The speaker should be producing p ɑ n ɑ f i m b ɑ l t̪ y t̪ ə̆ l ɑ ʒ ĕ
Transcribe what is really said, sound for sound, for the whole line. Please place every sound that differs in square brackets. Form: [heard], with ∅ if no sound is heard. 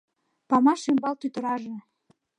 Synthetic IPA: p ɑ [m] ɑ [ʃ] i m b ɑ l t̪ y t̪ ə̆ [ɾ] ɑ ʒ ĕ